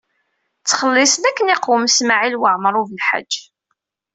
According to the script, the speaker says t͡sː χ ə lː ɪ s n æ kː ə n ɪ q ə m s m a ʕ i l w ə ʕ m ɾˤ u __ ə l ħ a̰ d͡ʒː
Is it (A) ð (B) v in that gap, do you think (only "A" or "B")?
B